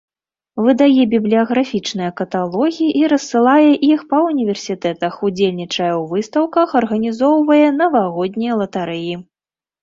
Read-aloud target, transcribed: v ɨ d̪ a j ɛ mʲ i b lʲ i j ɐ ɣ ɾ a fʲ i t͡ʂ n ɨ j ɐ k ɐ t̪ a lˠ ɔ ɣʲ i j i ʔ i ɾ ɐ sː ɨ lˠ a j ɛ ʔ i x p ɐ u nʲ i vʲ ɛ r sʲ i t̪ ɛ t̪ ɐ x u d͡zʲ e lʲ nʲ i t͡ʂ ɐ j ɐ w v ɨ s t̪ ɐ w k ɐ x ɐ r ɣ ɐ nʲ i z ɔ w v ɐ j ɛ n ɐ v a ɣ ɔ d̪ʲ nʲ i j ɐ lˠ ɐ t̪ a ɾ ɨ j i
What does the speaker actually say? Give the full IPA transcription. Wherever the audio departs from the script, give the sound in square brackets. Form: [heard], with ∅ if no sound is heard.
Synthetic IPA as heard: v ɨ d̪ a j ɛ [bʲ] i b lʲ i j ɐ ɣ ɾ a fʲ i t͡ʂ n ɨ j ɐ k ɐ t̪ a lˠ ɔ ɣʲ i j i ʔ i ɾ ɐ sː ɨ lˠ a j ɛ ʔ i x p ɐ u nʲ i vʲ ɛ r sʲ i t̪ ɛ t̪ ɐ x u d͡zʲ e lʲ nʲ i t͡ʂ ɐ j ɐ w v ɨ s t̪ ɐ w k ɐ x ɐ r ɣ ɐ nʲ i z ɔ w v ɐ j ɛ n ɐ v a ɣ ɔ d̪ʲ nʲ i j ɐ lˠ ɐ t̪ a ɾ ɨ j i